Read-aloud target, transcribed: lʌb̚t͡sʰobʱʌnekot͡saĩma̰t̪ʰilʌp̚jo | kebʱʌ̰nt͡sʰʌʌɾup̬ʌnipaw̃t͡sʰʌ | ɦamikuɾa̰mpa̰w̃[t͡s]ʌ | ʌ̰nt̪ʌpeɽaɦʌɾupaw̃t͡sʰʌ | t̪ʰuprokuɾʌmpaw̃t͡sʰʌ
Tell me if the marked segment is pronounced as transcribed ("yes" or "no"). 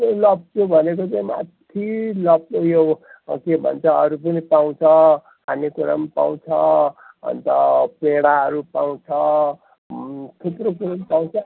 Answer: no